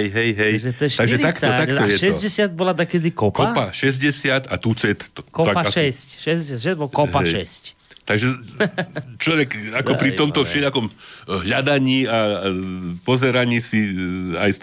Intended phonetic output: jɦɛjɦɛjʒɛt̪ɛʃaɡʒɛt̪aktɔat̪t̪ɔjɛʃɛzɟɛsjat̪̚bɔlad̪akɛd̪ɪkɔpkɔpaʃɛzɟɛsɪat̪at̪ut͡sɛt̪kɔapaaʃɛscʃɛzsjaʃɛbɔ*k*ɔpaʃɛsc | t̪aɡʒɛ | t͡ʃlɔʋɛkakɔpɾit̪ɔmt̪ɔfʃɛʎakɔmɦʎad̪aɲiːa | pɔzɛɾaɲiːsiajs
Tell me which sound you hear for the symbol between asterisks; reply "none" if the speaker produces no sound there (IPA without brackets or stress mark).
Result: k